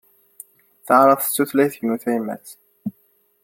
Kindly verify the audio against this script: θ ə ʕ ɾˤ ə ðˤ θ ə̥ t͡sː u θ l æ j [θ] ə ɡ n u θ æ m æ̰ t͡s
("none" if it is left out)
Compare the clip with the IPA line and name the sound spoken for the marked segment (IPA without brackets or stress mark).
θ